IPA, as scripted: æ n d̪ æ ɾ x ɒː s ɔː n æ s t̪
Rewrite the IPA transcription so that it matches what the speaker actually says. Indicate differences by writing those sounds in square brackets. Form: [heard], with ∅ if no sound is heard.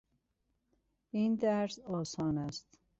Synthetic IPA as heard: [i] n d̪ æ ɾ [s] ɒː s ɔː n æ s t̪